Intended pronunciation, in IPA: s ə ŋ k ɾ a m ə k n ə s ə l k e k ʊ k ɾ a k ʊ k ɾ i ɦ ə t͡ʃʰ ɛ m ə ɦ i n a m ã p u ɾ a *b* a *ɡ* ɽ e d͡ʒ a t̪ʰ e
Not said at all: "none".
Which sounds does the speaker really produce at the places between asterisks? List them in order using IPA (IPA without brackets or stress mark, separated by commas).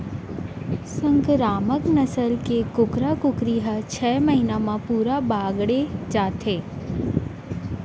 b, ɡ